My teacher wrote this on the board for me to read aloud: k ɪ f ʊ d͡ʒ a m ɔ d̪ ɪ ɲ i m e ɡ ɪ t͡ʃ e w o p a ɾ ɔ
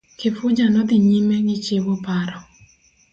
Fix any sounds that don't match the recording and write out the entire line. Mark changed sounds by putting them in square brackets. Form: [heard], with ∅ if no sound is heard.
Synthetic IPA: k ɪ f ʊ d͡ʒ a [n] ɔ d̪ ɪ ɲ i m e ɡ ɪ t͡ʃ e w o p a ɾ ɔ